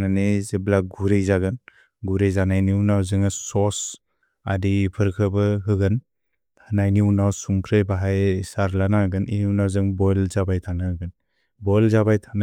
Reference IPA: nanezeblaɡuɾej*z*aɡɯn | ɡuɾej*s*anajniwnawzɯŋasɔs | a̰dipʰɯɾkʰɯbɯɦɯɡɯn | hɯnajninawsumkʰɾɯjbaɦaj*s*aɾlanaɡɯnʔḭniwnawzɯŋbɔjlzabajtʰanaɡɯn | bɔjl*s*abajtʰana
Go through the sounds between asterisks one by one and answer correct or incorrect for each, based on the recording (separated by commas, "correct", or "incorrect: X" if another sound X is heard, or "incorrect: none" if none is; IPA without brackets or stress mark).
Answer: correct, incorrect: z, correct, incorrect: z